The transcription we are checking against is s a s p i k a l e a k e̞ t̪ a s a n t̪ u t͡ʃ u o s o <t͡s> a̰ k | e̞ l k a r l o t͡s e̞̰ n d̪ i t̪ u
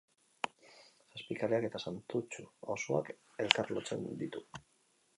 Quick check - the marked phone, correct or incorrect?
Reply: incorrect: none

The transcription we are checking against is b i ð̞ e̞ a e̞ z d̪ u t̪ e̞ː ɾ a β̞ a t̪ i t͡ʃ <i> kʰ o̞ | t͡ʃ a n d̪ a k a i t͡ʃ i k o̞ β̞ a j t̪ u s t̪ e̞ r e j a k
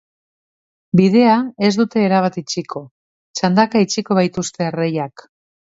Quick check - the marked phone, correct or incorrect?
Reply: correct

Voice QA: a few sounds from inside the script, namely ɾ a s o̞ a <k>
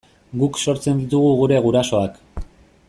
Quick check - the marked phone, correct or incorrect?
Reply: correct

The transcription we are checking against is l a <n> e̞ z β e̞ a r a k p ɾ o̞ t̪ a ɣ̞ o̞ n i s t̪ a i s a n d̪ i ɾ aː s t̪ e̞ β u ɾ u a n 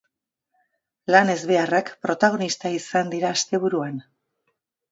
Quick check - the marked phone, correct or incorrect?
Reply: correct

